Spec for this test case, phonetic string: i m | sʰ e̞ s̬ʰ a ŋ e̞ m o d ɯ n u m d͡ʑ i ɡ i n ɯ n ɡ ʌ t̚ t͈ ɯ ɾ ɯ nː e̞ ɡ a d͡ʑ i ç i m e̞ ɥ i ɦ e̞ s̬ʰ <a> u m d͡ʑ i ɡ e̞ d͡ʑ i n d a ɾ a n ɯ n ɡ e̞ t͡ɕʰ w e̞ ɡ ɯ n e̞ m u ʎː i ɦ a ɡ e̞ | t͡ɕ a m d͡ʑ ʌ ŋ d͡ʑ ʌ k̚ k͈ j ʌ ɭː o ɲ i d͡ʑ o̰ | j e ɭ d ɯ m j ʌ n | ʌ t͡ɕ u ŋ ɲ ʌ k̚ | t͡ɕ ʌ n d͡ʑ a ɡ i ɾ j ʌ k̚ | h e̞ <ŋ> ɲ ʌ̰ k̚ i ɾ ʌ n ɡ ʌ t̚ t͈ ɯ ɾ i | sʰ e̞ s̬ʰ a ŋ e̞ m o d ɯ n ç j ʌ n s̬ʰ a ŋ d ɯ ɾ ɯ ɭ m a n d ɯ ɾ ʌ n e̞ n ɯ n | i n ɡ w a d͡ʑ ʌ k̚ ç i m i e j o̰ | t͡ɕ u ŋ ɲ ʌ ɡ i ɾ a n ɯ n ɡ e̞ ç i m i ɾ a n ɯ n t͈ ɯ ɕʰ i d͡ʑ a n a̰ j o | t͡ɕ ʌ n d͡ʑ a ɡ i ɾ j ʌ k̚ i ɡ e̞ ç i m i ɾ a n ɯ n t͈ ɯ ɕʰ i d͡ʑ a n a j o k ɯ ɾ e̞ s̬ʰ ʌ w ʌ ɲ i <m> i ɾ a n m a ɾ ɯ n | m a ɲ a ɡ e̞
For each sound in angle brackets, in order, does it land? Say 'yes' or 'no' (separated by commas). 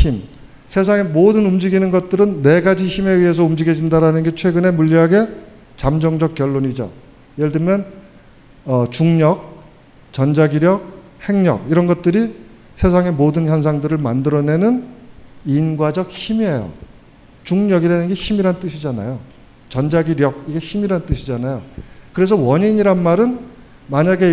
no, yes, no